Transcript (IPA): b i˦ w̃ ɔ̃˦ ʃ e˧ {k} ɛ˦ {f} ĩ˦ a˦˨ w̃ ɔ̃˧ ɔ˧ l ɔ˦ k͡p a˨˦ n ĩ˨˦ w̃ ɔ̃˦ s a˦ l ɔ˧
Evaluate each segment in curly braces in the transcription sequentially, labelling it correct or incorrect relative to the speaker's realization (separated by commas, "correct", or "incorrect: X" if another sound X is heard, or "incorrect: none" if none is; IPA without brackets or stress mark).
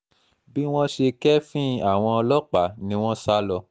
correct, correct